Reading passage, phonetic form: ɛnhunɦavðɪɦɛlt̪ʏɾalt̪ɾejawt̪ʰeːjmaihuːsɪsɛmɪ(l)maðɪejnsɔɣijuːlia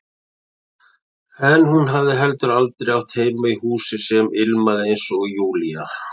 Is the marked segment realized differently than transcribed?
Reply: no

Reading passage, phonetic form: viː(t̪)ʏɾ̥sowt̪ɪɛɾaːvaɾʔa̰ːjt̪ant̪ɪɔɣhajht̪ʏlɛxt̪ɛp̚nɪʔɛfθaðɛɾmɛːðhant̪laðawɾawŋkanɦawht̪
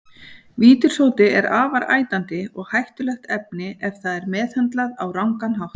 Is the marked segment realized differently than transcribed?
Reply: no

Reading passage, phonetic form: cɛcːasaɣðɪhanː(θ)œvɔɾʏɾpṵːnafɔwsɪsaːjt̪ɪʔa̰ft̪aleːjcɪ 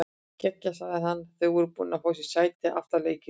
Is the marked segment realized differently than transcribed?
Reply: no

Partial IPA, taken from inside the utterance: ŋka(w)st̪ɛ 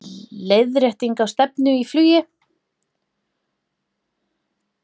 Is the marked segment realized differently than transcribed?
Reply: no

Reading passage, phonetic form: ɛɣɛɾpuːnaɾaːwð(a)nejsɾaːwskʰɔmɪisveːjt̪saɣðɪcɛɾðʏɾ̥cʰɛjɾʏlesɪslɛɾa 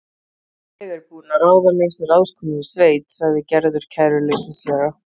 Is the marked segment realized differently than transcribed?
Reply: no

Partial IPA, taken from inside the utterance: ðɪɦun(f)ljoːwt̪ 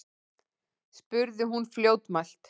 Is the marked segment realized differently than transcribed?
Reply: no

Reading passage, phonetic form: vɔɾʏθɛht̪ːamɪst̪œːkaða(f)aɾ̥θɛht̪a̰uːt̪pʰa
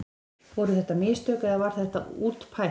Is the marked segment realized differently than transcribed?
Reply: yes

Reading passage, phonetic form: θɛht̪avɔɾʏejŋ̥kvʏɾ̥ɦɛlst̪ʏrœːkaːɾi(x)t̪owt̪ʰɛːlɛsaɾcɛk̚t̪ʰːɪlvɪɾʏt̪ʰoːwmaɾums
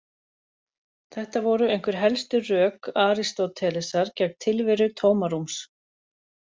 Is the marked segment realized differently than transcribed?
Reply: yes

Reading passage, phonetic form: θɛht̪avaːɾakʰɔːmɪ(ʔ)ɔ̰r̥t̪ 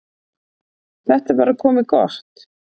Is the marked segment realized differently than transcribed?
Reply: yes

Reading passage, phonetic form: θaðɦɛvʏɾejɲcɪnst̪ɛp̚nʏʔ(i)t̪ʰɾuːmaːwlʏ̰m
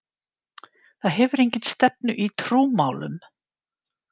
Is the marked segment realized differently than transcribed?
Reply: no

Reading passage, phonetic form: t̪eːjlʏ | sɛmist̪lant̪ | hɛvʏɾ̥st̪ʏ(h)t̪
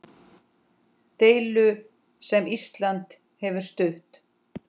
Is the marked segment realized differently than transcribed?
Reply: no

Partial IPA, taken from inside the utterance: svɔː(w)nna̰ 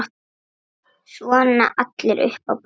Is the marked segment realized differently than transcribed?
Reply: yes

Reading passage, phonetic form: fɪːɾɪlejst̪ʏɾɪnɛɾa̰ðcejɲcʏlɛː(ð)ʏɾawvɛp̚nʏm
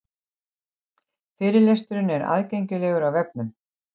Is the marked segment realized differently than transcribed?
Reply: yes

